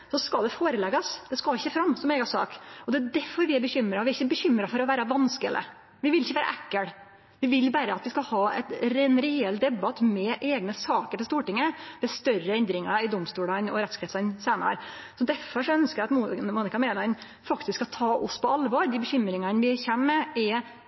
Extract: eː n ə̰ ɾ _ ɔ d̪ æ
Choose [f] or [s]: s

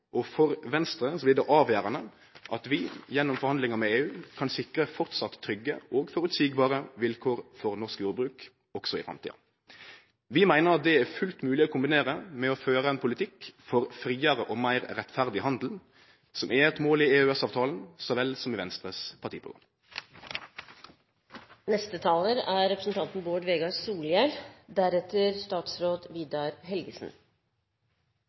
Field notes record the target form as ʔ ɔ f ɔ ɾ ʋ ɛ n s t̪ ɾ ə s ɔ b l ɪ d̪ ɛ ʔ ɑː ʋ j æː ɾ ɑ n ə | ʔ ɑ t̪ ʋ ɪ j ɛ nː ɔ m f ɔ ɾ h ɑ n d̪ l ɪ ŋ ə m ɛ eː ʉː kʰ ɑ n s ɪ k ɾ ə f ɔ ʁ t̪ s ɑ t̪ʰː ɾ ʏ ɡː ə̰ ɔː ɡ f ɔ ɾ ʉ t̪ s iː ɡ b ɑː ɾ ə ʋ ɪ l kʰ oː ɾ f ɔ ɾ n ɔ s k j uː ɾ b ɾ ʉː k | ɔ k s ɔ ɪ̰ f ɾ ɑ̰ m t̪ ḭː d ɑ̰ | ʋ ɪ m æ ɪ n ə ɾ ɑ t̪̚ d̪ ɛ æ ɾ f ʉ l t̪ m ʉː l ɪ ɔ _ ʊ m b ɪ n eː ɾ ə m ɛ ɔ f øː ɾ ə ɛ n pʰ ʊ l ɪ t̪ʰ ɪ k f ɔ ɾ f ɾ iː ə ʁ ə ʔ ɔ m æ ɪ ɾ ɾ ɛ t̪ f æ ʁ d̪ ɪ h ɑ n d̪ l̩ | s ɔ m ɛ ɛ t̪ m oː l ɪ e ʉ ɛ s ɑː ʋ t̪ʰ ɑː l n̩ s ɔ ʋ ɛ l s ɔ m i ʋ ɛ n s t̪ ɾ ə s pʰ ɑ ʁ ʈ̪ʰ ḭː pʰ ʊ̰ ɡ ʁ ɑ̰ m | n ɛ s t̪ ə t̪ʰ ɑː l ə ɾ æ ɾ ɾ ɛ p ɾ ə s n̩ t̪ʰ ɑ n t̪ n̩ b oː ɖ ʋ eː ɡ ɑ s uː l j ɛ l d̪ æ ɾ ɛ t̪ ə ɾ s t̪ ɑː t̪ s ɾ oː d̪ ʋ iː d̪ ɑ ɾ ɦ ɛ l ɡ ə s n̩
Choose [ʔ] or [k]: k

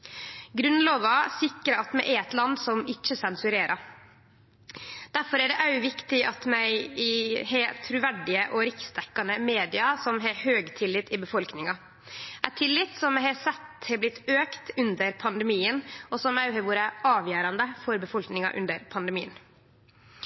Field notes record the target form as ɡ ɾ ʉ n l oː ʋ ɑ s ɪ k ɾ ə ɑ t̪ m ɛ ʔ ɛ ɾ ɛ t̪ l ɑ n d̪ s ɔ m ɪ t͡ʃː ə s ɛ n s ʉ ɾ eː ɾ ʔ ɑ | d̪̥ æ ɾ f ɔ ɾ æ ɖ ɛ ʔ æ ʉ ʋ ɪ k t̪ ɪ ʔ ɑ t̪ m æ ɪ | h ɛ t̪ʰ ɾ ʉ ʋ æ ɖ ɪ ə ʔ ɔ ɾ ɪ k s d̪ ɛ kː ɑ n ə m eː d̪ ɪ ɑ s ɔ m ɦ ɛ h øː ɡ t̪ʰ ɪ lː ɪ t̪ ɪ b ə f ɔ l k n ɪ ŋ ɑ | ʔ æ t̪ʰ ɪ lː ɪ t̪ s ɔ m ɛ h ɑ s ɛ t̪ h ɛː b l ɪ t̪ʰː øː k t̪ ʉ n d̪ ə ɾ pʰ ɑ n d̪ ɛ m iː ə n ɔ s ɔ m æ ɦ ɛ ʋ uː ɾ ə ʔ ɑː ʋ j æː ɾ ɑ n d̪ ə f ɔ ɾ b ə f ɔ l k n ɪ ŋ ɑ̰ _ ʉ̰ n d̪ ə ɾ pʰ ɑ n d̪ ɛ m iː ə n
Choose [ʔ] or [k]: ʔ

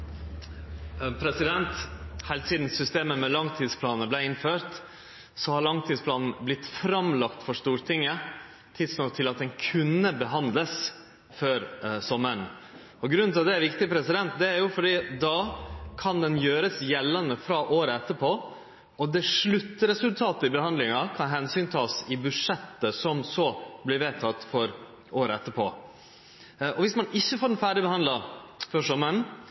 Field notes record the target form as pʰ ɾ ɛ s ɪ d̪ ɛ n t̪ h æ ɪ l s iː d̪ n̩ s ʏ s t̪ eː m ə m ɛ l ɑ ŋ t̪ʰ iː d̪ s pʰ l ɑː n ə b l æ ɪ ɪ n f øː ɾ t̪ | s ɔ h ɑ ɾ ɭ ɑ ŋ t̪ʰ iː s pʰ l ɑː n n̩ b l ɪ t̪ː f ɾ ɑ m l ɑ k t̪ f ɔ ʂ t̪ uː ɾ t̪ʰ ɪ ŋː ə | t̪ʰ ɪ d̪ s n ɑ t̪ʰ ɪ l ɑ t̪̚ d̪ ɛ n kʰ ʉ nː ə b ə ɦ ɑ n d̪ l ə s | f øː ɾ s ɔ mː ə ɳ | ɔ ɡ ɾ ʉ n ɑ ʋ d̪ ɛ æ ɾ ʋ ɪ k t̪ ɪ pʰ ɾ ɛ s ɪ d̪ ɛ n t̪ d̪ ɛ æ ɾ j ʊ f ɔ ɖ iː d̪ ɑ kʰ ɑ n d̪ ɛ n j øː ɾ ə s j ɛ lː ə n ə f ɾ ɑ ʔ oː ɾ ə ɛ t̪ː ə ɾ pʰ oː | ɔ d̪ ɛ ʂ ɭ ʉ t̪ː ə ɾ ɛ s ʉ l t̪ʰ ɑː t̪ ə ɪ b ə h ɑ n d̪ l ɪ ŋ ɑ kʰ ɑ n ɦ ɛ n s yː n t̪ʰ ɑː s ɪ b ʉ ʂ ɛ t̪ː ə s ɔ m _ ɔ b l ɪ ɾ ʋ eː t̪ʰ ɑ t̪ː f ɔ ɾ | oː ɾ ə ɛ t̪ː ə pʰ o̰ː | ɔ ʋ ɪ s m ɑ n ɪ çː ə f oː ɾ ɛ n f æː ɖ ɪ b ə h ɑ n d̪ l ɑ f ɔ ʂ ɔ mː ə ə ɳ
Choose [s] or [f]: s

